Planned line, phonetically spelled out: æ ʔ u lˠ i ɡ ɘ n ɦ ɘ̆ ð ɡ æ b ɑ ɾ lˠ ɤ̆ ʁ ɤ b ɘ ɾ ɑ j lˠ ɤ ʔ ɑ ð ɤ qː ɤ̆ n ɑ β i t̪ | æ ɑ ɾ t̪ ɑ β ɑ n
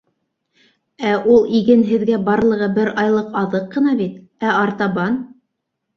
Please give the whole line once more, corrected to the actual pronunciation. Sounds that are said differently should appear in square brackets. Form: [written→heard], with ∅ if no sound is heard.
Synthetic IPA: æ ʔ u lˠ i ɡ ɘ n ɦ ɘ̆ ð ɡ æ b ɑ ɾ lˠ ɤ̆ ʁ ɤ b ɘ ɾ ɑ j lˠ ɤ [ʔ→q] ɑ ð ɤ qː ɤ̆ n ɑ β i t̪ | æ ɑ ɾ t̪ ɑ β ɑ n